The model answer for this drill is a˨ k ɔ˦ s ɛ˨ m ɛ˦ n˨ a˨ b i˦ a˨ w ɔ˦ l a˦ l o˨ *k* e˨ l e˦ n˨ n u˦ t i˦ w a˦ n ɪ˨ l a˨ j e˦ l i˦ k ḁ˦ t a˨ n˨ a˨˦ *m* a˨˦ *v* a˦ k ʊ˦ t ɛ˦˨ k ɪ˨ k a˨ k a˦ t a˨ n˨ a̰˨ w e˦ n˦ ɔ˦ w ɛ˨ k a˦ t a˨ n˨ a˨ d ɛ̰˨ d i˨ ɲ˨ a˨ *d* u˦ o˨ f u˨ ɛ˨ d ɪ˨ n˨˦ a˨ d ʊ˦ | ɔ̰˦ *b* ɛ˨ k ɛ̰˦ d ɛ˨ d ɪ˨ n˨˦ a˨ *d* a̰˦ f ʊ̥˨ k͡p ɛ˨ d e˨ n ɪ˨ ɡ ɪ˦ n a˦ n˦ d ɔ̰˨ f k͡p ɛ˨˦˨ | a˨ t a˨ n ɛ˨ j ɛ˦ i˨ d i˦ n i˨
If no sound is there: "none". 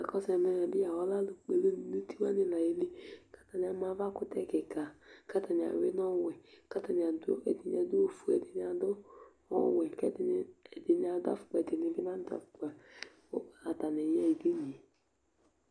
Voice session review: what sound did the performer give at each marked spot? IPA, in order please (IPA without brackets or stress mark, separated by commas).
k͡p, m, v, d, w, d